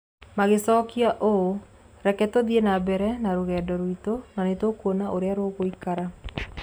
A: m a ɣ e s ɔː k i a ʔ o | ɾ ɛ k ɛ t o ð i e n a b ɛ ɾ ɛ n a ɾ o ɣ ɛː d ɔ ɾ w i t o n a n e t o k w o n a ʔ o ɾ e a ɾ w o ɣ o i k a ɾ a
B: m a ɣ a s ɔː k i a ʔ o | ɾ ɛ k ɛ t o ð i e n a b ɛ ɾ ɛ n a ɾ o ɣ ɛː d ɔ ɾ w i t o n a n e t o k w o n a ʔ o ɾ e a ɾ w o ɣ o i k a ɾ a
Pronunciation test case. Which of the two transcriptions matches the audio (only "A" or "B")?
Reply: A